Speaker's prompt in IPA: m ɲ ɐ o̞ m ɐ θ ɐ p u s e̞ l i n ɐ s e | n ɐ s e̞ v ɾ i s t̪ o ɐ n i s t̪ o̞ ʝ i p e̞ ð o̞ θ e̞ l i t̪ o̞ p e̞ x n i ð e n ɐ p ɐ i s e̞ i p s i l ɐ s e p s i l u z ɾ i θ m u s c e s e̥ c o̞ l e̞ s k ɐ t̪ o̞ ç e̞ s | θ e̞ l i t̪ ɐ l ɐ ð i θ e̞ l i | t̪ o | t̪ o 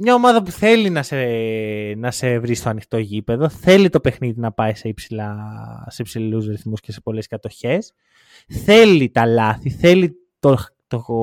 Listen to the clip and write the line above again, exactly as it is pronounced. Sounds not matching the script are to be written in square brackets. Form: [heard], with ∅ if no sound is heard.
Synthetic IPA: m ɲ ɐ o̞ m ɐ [ð] ɐ p u [θ] e̞ l i n ɐ s e | n ɐ s e̞ v ɾ i s t̪ o ɐ n i [x] t̪ o̞ ʝ i p e̞ ð o̞ θ e̞ l i t̪ o̞ p e̞ x n i ð [i] n ɐ p ɐ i s e̞ i p s i l ɐ s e p s i l u z ɾ i θ m u s c e s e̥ [p] o̞ l e̞ s k ɐ t̪ o̞ ç e̞ s | θ e̞ l i t̪ ɐ l ɐ [θ] i θ e̞ l i | t̪ o | t̪ o